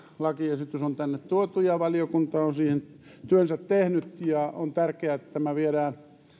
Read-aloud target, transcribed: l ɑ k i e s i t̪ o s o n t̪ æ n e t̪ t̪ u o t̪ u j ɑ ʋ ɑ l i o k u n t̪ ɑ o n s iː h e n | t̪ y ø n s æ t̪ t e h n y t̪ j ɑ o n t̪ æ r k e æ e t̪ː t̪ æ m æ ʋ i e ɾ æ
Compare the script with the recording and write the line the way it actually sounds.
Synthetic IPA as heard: l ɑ k i e s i t̪ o s o n t̪ æ nː e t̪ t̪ u o t̪ u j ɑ ʋ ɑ l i o k u n t̪ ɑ o n s iː h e n | t̪ y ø n s æ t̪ t e h n y t̪ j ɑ o n t̪ æ r k e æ e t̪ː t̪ æ m æ ʋ i e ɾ æː